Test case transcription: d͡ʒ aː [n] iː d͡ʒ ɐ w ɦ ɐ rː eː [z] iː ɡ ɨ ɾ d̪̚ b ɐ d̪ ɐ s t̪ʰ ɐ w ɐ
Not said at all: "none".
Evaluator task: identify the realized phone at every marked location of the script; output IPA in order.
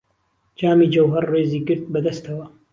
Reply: m, z

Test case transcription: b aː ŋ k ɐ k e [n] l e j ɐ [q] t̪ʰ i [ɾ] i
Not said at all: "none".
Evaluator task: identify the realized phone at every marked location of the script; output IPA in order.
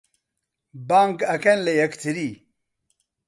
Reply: n, k, ɾ

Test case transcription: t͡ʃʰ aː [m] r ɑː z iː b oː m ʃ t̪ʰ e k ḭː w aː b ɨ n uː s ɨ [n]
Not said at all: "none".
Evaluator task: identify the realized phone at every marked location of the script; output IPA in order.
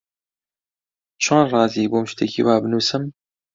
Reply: n, m

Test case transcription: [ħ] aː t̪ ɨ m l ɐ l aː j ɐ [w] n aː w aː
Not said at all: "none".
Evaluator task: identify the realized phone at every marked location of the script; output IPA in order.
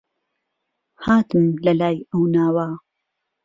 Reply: h, w

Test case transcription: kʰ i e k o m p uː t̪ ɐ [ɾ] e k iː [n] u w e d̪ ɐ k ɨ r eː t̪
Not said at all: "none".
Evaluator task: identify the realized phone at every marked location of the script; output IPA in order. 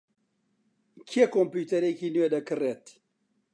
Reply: ɾ, n

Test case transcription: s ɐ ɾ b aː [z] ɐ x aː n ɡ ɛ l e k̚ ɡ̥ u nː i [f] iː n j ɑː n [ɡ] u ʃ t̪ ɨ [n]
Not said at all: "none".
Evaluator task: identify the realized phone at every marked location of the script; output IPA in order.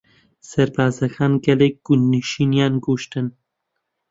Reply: z, ʃ, ɡ, n

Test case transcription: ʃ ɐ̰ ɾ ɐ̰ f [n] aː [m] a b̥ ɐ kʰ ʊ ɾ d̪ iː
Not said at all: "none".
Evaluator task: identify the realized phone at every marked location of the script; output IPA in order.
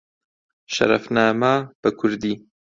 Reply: n, m

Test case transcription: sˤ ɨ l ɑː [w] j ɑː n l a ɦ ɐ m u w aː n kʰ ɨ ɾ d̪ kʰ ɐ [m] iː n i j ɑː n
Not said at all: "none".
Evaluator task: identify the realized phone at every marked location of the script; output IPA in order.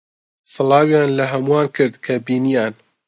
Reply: w, b

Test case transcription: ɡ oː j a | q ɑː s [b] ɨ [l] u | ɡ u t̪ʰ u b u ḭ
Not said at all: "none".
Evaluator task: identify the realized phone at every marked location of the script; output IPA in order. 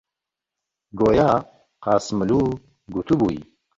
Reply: m, l

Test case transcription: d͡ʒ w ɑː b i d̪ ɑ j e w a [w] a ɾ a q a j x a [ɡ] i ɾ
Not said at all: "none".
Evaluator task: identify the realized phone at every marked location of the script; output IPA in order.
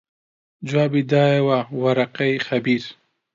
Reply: w, b

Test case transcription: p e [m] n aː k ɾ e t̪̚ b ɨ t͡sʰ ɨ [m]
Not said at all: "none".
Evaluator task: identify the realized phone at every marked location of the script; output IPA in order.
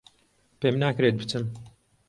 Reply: m, m

